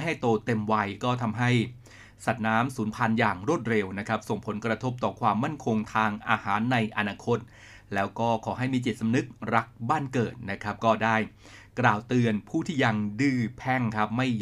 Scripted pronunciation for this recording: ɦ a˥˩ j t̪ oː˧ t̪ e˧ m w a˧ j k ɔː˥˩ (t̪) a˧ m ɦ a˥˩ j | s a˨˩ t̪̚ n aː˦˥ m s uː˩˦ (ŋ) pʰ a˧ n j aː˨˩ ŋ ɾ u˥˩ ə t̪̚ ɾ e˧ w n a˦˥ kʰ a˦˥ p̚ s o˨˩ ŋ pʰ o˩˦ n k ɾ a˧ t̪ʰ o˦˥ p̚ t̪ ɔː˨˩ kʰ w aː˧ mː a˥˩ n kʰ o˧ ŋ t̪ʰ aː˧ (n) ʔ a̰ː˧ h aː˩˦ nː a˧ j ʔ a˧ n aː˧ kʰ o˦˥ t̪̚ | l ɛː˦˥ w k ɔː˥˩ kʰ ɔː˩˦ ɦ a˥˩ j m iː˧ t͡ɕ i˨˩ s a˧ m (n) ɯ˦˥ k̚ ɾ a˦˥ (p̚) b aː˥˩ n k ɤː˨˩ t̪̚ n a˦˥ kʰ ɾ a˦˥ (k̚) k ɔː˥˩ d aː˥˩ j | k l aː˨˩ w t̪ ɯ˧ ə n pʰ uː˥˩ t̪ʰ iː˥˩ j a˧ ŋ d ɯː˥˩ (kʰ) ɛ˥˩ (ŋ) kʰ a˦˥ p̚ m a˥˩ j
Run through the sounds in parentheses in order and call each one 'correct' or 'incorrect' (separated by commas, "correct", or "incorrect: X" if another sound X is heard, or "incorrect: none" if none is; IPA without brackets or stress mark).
incorrect: t̪ʰ, incorrect: n, incorrect: ŋ, correct, incorrect: k̚, incorrect: p̚, incorrect: pʰ, correct